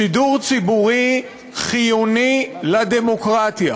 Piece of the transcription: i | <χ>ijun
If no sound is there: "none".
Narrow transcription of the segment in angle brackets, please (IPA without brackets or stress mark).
χ